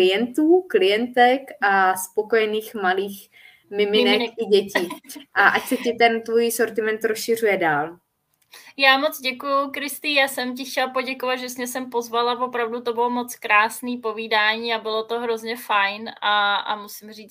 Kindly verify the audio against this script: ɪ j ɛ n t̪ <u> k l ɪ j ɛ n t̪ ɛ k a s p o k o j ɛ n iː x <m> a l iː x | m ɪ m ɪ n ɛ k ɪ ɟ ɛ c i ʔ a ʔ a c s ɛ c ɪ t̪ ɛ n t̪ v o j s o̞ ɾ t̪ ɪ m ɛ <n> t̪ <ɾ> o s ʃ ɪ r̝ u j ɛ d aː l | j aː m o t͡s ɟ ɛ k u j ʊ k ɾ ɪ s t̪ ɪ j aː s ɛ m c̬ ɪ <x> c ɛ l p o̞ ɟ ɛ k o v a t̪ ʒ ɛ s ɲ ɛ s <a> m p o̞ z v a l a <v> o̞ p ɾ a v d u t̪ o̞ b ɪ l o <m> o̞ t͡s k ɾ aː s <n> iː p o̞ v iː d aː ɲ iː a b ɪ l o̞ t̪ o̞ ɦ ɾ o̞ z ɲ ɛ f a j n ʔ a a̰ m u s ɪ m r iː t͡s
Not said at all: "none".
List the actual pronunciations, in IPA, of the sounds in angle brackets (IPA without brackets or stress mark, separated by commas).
uː, m, n, ɾ, x, ɛ, v, m, n